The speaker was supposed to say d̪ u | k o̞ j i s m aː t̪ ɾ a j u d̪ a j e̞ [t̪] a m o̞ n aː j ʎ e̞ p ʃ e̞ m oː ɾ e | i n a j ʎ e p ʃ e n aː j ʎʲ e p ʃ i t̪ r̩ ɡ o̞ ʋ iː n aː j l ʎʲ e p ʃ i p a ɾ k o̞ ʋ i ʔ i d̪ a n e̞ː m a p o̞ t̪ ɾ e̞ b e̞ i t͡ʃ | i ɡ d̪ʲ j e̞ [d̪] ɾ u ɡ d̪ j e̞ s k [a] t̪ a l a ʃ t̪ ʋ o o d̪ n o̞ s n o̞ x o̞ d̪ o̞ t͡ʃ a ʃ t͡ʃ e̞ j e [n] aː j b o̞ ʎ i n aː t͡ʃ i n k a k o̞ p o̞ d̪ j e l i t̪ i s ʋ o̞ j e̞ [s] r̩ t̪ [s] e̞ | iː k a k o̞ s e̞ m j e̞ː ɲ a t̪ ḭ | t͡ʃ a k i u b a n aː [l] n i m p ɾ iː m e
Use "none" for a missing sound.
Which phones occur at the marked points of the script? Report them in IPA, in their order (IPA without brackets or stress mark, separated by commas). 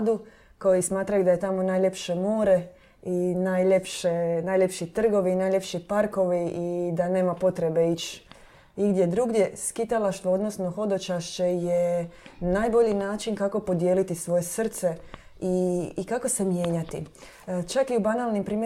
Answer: t̪, d̪, i, n, s, s, l